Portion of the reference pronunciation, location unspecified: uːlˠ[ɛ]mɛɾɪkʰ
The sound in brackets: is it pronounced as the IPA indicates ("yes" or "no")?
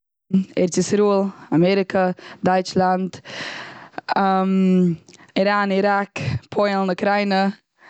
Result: no